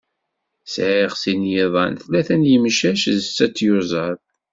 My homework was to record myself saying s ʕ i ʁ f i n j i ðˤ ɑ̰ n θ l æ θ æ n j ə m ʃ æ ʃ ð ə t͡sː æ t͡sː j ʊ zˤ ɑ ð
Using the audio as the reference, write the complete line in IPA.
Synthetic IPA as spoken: s ʕ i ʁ s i n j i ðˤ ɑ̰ n θ l æ θ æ n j ə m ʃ æ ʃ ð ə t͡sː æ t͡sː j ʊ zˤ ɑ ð